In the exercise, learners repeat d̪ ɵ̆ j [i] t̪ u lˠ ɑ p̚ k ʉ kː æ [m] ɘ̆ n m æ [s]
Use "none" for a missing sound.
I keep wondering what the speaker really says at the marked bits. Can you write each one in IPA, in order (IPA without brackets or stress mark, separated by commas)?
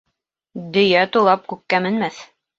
æ, m, θ